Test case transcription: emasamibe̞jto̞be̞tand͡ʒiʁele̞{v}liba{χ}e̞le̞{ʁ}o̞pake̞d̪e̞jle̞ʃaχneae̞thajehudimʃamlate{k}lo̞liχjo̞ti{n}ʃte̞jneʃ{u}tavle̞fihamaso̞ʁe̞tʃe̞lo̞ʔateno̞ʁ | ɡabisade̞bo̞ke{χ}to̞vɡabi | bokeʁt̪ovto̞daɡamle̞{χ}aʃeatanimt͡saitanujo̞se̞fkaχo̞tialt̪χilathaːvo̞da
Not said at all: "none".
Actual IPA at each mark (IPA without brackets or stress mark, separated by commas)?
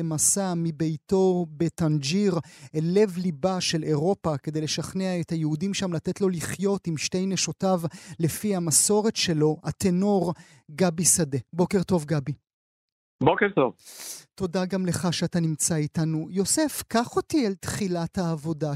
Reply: v, ʃ, ʁ, t, m, o, ʁ, χ